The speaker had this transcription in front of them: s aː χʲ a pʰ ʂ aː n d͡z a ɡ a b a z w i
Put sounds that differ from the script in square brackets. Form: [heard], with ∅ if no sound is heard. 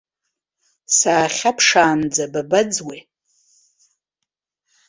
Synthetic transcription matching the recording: s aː χʲ a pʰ ʂ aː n d͡z a [b] a b a [d͡z] w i